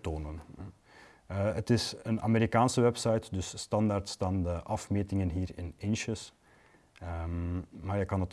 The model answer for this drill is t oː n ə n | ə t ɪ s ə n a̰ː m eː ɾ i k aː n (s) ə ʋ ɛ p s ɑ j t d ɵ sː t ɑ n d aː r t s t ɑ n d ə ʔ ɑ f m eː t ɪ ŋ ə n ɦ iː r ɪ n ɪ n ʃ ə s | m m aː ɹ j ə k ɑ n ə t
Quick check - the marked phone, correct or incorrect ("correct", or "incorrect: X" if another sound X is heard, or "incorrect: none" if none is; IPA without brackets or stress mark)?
correct